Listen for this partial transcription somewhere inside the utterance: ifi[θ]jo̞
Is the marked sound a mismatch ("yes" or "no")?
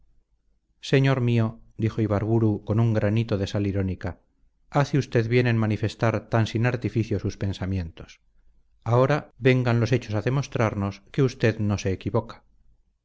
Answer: no